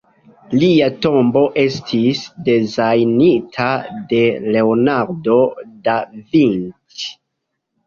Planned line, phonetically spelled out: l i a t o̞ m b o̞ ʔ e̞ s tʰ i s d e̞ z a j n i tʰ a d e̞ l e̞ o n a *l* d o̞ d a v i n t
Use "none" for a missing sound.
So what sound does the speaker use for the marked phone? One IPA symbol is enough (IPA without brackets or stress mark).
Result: ɾ